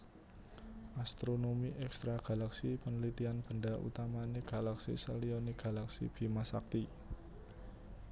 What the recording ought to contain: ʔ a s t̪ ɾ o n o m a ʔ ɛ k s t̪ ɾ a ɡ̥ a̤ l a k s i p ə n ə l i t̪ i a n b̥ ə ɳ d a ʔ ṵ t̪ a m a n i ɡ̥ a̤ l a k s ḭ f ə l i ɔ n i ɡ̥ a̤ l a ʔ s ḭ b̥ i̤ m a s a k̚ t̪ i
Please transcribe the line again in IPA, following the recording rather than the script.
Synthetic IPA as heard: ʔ a s t̪ ɾ o n o m i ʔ ɛ k s t̪ ɾ a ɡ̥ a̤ l a k s i p ə n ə l i t̪ i a n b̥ ə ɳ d a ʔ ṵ t̪ a m a n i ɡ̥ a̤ l a k s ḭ s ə l i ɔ n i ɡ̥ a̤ l a k s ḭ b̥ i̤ m a s a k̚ t̪ i